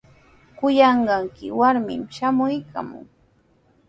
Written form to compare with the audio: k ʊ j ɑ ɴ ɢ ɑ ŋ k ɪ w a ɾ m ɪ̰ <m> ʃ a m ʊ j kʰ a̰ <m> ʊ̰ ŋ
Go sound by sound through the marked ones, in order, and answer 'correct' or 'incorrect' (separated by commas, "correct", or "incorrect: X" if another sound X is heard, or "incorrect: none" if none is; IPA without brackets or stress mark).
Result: correct, correct